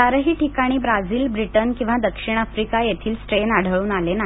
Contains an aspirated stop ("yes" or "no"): yes